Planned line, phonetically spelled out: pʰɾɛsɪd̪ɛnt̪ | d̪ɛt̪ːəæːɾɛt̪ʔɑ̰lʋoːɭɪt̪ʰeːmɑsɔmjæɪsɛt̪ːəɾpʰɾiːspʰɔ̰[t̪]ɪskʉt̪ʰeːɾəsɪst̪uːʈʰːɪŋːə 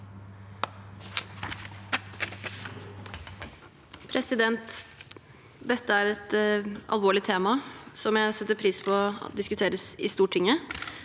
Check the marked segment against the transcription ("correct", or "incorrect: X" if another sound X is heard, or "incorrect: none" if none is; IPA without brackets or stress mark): incorrect: d̪